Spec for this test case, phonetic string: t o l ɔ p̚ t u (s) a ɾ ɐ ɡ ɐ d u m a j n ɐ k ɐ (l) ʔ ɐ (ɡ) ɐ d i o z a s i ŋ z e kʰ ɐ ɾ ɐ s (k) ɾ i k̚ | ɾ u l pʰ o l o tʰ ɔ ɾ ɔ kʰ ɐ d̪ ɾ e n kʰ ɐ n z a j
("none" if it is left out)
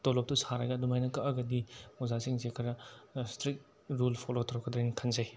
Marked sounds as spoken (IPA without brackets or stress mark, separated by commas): s, none, ɡ, t